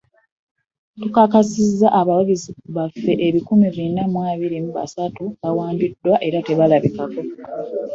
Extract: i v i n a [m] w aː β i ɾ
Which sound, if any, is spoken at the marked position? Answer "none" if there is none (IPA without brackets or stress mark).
m